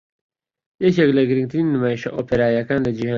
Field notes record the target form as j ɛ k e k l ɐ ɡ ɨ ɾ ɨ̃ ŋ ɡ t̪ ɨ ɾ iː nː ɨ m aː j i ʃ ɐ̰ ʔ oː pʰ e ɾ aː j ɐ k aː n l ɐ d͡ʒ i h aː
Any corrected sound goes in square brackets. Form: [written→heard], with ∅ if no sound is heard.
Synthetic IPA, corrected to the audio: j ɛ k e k l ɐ ɡ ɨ ɾ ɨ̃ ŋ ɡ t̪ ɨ ɾ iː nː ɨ m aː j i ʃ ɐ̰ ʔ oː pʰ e ɾ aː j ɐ k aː n l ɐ d͡ʒ i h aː